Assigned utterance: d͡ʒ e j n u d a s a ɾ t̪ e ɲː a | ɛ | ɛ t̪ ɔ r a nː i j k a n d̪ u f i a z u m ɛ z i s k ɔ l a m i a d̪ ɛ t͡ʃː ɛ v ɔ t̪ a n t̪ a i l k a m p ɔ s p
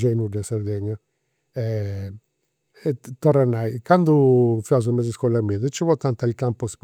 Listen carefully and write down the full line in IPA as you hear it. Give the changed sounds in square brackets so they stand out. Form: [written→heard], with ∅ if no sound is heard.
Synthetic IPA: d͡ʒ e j n u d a s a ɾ [t̪→d̪] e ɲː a | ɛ | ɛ t̪ ɔ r a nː [i→a] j k a n d̪ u f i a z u m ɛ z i s k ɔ l a m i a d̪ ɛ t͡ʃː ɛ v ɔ t̪ a n t̪ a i l k a m p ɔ s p